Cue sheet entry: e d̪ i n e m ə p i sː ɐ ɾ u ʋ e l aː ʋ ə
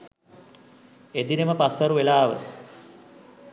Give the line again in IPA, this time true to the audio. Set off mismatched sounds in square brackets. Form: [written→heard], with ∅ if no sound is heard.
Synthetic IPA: e d̪ i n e m ə p [i→a] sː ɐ ɾ u ʋ e l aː ʋ ə